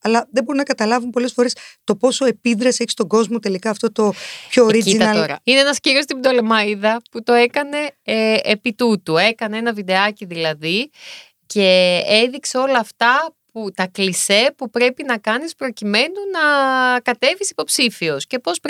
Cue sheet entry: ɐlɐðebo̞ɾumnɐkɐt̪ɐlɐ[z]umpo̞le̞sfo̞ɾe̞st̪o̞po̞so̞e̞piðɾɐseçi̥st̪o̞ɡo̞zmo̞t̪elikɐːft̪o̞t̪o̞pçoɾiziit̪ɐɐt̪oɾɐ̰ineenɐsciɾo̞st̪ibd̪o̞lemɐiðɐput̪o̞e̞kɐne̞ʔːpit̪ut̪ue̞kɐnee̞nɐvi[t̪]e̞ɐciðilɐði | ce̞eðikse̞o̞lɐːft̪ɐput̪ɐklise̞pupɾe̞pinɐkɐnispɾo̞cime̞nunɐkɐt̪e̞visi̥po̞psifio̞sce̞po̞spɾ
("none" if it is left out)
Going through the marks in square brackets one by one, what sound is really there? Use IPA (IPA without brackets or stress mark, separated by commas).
v, d̪